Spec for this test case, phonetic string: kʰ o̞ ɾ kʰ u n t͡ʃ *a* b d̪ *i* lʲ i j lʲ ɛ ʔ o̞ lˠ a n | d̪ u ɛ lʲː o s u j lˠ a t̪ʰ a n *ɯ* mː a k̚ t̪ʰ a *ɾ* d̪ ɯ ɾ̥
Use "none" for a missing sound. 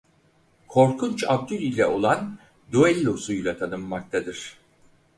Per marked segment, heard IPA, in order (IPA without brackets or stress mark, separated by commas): a, y, ɯ, none